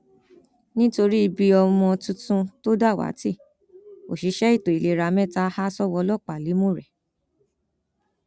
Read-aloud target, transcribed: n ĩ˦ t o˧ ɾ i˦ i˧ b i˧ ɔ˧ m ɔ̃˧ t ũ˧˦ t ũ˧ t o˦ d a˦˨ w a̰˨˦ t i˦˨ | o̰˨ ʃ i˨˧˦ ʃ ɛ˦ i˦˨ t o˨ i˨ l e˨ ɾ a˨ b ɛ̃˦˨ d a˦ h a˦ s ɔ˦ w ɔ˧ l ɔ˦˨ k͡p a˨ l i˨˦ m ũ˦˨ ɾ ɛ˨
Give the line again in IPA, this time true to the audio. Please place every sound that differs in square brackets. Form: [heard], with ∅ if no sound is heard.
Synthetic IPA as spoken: n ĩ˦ t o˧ ɾ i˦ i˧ b i˧ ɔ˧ m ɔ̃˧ t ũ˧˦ t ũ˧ t o˦ d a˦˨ w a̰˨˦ t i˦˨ | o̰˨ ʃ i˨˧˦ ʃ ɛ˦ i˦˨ t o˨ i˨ l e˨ ɾ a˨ [m] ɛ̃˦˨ [t] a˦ h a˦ s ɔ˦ w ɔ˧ l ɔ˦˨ k͡p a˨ l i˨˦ m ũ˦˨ ɾ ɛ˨